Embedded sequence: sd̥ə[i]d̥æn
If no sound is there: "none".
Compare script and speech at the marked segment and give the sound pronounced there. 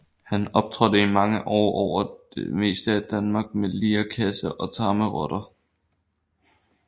æ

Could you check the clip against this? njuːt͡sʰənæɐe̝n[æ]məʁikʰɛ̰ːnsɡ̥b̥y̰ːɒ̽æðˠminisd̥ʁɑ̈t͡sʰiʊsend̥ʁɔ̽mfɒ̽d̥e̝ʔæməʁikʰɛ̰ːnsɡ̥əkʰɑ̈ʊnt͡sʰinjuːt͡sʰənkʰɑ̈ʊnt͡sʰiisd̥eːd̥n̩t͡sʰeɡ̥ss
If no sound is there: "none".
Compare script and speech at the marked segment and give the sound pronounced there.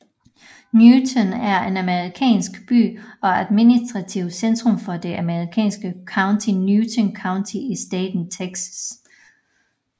æ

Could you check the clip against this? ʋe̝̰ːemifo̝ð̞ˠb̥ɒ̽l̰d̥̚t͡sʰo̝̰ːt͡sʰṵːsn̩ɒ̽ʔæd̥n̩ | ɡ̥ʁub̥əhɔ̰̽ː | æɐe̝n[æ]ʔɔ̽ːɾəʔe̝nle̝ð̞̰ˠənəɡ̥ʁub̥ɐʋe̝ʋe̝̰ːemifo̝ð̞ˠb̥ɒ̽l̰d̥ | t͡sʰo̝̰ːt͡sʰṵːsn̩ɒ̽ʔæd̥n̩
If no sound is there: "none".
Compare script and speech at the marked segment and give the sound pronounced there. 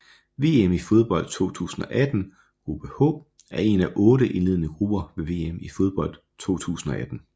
æ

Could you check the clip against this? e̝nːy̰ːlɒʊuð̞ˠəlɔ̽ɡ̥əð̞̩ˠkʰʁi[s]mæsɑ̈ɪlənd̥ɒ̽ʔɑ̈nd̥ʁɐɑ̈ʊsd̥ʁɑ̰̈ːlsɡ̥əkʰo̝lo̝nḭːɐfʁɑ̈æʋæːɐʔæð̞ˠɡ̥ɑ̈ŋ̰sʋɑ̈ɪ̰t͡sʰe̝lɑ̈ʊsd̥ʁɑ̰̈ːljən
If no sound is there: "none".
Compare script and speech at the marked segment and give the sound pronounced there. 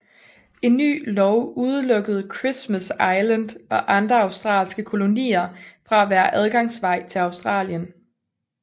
s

